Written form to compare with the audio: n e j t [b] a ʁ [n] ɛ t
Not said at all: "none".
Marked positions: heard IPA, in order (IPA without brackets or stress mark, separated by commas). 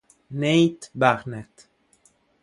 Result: b, n